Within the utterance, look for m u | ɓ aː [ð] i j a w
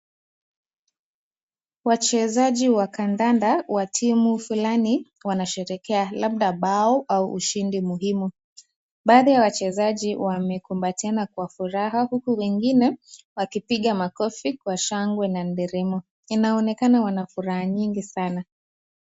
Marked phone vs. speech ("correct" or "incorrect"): correct